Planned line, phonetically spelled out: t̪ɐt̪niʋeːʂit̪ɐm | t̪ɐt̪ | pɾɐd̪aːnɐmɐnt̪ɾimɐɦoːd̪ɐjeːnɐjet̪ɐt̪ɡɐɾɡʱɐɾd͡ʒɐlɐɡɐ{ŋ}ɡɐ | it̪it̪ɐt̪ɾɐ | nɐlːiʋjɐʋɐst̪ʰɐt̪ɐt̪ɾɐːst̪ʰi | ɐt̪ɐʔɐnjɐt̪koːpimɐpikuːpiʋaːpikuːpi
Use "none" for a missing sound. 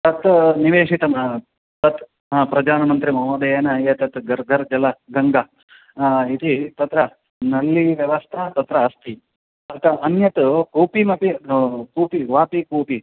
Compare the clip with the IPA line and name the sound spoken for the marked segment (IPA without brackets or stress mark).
ŋ